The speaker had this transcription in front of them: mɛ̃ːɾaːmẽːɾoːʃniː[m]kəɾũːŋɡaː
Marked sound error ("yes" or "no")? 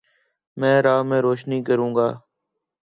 yes